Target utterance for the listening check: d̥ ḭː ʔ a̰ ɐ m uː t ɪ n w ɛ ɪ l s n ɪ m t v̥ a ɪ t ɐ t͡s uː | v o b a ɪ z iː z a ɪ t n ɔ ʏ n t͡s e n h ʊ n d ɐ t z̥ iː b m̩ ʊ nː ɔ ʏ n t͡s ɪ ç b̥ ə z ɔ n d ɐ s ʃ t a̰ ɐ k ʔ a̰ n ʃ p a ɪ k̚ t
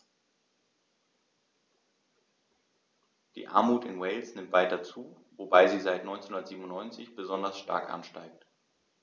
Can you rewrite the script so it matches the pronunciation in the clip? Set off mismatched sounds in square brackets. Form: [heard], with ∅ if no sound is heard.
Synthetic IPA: d̥ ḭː ʔ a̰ ɐ m uː t ɪ n w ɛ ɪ l s n ɪ m t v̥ a ɪ t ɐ t͡s uː | v o b a ɪ z iː z a ɪ t n ɔ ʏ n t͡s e n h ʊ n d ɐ t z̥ iː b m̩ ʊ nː ɔ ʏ n t͡s ɪ ç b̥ ə z ɔ n d ɐ s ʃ t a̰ ɐ k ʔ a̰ n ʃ [t] a ɪ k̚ t